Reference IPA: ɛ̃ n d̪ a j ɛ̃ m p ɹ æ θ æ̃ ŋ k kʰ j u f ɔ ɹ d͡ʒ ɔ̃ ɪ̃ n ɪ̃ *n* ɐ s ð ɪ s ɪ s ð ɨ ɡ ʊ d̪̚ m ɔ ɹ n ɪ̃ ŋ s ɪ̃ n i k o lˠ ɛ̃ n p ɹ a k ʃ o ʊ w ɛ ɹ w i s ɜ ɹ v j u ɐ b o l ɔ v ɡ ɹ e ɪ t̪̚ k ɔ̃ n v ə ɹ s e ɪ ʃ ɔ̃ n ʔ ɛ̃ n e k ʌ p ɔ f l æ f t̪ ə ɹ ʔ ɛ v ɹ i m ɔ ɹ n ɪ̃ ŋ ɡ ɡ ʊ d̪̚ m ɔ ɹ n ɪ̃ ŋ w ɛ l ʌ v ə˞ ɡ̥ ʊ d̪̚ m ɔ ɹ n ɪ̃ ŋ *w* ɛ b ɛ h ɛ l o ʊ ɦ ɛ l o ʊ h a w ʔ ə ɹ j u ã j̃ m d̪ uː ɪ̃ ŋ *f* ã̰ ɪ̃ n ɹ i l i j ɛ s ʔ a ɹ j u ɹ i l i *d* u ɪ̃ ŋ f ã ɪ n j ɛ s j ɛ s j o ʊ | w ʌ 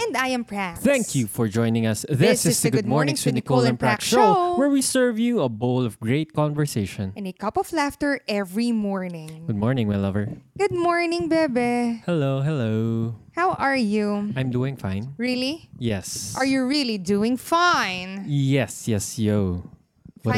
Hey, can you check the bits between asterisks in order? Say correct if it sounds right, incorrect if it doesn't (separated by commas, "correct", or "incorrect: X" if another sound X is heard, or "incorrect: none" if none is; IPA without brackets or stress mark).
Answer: incorrect: ŋ, incorrect: b, correct, correct